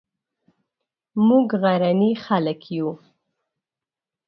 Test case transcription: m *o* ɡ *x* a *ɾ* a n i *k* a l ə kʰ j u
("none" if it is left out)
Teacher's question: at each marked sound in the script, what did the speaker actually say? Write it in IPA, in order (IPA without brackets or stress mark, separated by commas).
u, ɣ, ɾ, x